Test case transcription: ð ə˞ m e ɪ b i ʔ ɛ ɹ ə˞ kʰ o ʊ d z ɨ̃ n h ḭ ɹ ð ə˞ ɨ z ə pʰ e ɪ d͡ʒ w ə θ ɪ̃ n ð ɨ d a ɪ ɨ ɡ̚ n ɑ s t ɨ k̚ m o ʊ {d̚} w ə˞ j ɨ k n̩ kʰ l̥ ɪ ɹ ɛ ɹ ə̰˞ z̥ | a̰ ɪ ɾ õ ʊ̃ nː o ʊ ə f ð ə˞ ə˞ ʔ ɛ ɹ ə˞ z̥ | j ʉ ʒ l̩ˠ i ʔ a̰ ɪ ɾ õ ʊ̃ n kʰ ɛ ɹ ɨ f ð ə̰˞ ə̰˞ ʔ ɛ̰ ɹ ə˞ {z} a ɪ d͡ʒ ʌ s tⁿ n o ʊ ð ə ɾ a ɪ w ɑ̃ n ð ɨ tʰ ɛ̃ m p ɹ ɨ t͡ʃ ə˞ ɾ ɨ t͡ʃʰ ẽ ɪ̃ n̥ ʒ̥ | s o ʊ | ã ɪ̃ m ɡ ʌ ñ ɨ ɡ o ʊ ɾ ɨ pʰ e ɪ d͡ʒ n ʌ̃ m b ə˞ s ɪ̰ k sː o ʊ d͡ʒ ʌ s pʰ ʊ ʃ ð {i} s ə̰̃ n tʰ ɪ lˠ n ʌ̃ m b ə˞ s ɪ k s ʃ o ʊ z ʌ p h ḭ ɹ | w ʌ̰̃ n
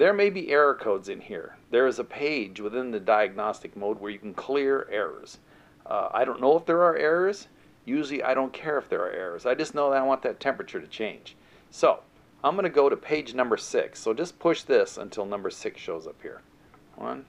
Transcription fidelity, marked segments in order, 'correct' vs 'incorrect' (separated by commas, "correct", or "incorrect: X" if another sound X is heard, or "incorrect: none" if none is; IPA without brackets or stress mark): correct, correct, incorrect: ɪ